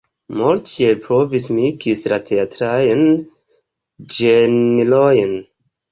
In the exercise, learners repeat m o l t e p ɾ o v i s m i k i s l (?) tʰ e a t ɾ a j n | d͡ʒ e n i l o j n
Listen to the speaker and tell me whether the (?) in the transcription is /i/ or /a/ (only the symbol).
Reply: a